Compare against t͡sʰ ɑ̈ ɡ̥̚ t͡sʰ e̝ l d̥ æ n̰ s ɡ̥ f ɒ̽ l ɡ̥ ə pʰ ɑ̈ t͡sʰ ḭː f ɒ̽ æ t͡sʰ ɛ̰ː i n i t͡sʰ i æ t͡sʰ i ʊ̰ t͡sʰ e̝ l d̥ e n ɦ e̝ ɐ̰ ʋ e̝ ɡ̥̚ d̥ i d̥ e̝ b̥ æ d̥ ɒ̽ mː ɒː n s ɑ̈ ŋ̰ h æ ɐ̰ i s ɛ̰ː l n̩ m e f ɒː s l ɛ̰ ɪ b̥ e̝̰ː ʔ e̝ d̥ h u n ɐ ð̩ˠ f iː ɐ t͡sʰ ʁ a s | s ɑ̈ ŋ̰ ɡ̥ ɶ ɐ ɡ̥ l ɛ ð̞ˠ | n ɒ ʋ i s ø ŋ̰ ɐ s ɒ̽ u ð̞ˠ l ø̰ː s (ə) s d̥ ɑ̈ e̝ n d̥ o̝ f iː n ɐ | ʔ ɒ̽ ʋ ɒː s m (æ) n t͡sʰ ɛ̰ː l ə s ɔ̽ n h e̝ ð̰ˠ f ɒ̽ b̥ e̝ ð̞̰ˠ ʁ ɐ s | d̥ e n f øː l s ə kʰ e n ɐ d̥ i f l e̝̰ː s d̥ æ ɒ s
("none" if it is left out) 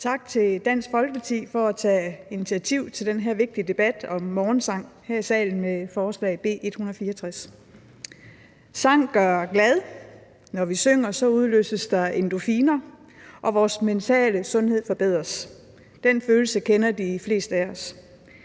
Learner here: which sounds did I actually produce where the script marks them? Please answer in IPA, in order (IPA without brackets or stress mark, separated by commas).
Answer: ə, e